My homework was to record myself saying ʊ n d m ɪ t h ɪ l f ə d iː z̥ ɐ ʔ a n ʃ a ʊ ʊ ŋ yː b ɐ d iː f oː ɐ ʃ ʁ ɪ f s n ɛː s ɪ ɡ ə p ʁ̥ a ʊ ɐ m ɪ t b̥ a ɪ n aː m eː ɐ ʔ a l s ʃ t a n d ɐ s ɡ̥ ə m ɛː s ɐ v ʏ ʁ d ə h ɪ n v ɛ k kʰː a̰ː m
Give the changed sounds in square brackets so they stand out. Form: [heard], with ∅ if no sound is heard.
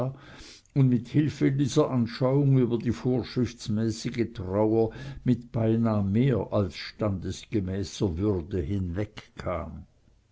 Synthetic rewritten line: ʊ n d m ɪ t h ɪ l f ə d iː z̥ ɐ ʔ a n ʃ a ʊ ʊ ŋ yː b ɐ d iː f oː ɐ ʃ ʁ ɪ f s [m] ɛː s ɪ ɡ ə [t] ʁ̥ a ʊ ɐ m ɪ t b̥ a ɪ n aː m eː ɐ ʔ a l s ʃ t a n d [ə] s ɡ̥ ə m ɛː s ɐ v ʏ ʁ d ə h ɪ n v ɛ k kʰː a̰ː m